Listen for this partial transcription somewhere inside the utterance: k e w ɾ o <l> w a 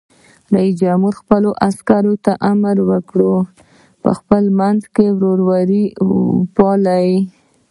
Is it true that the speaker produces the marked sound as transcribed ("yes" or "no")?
no